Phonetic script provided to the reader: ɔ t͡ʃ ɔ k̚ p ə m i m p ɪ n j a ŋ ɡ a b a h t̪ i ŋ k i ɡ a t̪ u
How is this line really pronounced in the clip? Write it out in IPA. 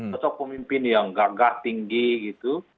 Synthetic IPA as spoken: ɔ t͡ʃ ɔ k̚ p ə m i m p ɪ n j a ŋ ɡ a ɡ a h t̪ i ŋ ɡ i ɡ i t̪ u